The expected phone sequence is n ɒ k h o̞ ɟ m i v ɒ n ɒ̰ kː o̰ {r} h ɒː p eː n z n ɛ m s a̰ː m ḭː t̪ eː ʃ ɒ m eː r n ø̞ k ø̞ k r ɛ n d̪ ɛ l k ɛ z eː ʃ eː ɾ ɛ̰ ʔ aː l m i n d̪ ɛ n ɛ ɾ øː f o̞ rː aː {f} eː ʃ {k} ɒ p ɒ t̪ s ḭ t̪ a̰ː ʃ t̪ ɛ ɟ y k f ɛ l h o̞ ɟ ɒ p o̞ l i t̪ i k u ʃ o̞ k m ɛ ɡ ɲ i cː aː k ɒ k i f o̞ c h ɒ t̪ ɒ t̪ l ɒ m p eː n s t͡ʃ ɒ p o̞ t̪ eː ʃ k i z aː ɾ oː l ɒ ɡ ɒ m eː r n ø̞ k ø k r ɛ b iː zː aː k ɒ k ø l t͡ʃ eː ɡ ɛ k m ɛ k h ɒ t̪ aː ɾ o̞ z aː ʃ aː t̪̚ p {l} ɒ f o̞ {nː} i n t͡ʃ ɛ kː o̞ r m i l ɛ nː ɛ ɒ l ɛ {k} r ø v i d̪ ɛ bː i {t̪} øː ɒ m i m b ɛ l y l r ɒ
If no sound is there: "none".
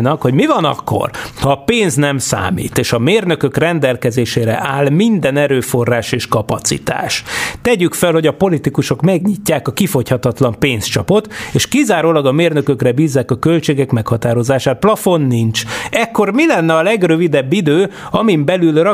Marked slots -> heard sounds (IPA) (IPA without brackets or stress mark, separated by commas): r, ʃ, k, l, nː, ɡ, d̪